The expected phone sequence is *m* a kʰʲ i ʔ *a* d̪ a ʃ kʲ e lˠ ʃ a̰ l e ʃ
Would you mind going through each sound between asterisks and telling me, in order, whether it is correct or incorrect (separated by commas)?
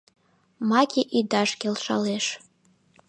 correct, incorrect